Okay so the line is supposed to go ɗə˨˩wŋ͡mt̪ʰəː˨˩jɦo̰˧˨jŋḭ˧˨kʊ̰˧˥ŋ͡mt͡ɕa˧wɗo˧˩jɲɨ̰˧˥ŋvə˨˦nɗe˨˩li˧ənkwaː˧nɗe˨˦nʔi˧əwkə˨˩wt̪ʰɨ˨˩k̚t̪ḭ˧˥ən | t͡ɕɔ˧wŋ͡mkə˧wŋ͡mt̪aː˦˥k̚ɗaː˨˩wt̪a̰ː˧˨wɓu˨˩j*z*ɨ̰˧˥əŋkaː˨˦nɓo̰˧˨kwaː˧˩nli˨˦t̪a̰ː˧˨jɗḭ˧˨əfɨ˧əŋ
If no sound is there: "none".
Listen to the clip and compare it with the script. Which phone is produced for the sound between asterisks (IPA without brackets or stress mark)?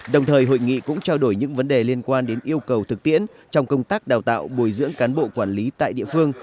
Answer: z